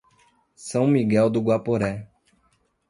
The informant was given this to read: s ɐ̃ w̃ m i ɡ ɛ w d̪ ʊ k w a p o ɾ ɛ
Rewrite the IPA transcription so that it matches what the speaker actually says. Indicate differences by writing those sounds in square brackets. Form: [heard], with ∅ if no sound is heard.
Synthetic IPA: s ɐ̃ w̃ m i ɡ ɛ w d̪ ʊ [ɡ] w a p o ɾ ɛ

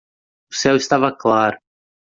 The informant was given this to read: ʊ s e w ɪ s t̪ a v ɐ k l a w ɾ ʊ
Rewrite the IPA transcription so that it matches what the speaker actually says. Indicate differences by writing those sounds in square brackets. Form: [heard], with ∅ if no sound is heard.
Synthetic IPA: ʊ s [ɛ] w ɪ s t̪ a v ɐ k l a [∅] ɾ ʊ

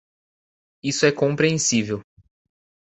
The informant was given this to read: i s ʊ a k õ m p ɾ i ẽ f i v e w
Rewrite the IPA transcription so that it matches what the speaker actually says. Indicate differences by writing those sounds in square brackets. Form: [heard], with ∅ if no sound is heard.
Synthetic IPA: i s ʊ [ɛ] k õ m p ɾ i ẽ [s] i v e w

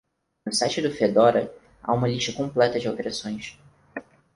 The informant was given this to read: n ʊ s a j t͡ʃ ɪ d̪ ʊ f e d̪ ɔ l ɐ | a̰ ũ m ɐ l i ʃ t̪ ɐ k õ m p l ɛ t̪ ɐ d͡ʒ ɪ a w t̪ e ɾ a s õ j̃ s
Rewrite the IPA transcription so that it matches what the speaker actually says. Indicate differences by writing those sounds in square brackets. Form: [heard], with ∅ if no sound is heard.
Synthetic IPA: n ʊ s a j t͡ʃ ɪ d̪ ʊ f e d̪ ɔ [ɾ] ɐ | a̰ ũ m ɐ l i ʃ t̪ ɐ k õ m p l ɛ t̪ ɐ d͡ʒ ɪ a w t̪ e ɾ a s õ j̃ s

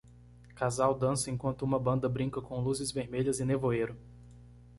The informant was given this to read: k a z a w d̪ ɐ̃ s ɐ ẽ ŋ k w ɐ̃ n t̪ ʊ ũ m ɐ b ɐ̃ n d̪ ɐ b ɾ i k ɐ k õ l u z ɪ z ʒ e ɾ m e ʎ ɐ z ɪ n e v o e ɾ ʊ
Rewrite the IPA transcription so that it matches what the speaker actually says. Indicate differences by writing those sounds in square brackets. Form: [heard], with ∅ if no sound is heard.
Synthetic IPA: k a z a w d̪ ɐ̃ s ɐ ẽ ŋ k w ɐ̃ n t̪ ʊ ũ m ɐ b ɐ̃ n d̪ ɐ b ɾ [ĩ] k ɐ k õ l u z ɪ z [v] e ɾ m e ʎ ɐ z ɪ n e v o e ɾ ʊ

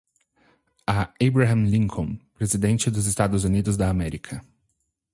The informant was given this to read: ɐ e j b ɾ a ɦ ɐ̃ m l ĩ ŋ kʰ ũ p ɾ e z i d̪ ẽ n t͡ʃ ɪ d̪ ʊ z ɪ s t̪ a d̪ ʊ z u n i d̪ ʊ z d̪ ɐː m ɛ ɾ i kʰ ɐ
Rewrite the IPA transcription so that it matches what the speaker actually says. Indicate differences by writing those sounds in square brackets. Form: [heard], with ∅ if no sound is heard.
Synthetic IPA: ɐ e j b ɾ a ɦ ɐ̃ m l ĩ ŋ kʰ [õ] p ɾ e z i d̪ ẽ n t͡ʃ ɪ d̪ ʊ z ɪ s t̪ a d̪ ʊ z u n i d̪ ʊ z d̪ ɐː m ɛ ɾ i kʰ ɐ

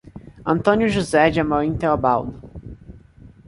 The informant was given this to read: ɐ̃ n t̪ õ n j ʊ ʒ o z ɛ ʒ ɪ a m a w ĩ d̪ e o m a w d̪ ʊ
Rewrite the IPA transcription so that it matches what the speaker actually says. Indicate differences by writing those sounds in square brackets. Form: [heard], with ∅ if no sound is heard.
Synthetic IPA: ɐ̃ n t̪ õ n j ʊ ʒ [u] z ɛ [d͡ʒ] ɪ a m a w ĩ [t̪] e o [b] a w d̪ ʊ

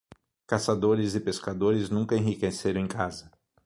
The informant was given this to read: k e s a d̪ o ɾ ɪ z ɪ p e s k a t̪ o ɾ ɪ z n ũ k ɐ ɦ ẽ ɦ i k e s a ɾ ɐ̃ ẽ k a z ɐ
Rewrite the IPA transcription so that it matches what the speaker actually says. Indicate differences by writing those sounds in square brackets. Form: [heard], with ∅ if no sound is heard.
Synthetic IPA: k [a] s a d̪ o ɾ ɪ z ɪ p e s k a [d̪] o ɾ ɪ z n ũ k ɐ [∅] ẽ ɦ i k e s [e] ɾ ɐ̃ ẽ k a z ɐ

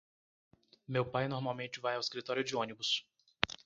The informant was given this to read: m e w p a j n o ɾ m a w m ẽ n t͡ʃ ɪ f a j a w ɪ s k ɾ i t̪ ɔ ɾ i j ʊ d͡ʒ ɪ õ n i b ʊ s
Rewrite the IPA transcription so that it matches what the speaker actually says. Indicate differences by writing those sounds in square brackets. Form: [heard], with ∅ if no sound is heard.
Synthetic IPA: m e w p a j n o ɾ m a w m ẽ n t͡ʃ ɪ [v] a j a w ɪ s k ɾ i t̪ ɔ ɾ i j ʊ d͡ʒ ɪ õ n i b ʊ s

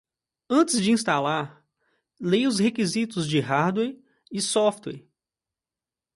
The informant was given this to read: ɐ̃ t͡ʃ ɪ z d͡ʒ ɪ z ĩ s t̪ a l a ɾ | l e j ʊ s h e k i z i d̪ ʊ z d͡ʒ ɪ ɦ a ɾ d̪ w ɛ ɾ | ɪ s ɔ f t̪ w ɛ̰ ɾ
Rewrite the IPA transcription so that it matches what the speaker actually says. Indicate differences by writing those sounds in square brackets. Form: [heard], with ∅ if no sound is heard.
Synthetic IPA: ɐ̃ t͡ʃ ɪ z d͡ʒ ɪ [∅] ĩ s t̪ a l a ɾ | l e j ʊ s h e k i z i [t̪] ʊ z d͡ʒ ɪ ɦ a ɾ d̪ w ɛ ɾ | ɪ s ɔ f t̪ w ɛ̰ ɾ

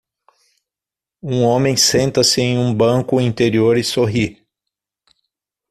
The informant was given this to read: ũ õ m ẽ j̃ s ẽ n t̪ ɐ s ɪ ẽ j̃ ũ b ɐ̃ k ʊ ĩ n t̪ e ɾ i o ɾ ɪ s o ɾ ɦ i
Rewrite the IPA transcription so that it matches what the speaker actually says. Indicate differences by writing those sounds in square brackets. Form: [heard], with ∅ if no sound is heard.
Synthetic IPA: ũ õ m ẽ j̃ s ẽ n t̪ ɐ s ɪ ẽ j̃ ũ b ɐ̃ k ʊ ĩ n t̪ e ɾ i o ɾ ɪ s o [∅] ɦ i

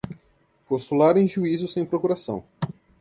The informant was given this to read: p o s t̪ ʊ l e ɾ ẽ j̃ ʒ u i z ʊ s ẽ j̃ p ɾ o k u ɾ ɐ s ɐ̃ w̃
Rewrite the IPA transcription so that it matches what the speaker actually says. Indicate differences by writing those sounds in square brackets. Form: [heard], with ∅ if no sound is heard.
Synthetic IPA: p o s t̪ [u] l [a] ɾ ẽ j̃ ʒ u i z ʊ s ẽ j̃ p ɾ o k u ɾ [a] s ɐ̃ w̃

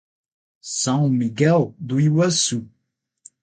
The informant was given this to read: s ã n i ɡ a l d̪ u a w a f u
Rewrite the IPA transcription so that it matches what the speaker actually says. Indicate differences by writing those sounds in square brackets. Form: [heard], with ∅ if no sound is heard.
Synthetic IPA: s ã [m] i ɡ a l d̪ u [i] w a [s] u

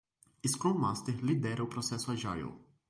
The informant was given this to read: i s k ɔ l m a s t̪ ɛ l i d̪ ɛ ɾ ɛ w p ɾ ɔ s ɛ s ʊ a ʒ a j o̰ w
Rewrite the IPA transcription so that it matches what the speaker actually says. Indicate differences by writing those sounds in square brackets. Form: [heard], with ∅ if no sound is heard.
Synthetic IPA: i s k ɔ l m a s t̪ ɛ l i d̪ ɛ ɾ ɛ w p ɾ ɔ s ɛ s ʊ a ʒ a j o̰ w

